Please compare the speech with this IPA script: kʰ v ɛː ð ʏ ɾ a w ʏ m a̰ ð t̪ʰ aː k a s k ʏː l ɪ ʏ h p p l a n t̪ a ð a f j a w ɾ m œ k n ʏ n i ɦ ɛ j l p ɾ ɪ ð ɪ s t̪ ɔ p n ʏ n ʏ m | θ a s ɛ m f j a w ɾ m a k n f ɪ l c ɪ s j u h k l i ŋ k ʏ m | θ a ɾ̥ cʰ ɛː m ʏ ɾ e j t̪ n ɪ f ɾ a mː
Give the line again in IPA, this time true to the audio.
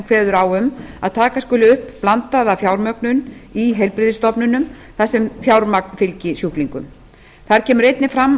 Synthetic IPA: kʰ v ɛː ð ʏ ɾ a w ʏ m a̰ ð t̪ʰ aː k a s k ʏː l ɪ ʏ h p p l a n t̪ a ð a f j a w ɾ m œ k n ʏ n i ɦ ɛ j l p ɾ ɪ ð ɪ s t̪ ɔ p n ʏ n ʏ m | θ a s ɛ m f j a w ɾ m a k n f ɪ l c ɪ s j u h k l i ŋ k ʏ m | θ a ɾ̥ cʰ ɛː m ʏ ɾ e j t̪ n ɪ f ɾ a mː